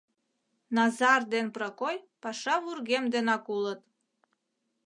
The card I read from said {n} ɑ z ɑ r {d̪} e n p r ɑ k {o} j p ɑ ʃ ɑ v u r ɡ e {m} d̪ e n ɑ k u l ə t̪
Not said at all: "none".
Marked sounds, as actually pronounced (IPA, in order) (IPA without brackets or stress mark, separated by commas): n, d̪, o, m